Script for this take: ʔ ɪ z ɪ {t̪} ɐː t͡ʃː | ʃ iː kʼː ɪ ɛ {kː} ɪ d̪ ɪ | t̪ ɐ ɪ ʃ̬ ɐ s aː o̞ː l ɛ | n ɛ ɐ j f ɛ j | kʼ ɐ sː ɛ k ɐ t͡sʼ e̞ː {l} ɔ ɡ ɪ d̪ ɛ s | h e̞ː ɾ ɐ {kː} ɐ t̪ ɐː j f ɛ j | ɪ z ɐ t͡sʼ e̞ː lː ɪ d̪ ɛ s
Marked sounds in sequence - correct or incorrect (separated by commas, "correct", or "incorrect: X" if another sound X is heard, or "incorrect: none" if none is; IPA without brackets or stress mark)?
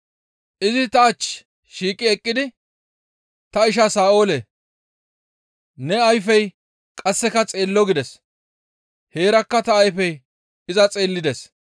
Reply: correct, incorrect: kʼː, incorrect: lː, correct